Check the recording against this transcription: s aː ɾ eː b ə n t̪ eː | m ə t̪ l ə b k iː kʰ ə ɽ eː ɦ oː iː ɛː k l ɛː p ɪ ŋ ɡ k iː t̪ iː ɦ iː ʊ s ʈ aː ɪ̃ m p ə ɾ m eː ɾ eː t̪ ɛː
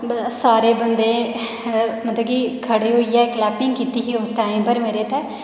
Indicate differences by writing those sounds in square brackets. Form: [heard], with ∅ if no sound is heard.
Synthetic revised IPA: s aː ɾ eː b ə n [d̪] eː | m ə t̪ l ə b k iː kʰ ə ɽ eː ɦ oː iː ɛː k l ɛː p ɪ ŋ ɡ k iː t̪ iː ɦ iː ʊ s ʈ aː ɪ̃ m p ə ɾ m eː ɾ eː t̪ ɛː